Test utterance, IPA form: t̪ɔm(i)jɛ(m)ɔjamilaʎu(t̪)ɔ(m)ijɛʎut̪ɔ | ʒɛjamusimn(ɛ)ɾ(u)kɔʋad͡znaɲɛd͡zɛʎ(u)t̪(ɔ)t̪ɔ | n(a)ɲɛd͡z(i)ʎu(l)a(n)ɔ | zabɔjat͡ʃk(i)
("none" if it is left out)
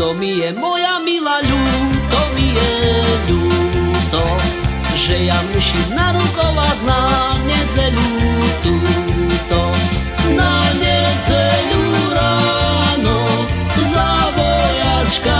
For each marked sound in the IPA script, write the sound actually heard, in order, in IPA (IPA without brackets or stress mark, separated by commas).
i, m, t̪, m, a, u, u, u, a, ɛ, ɾ, n, a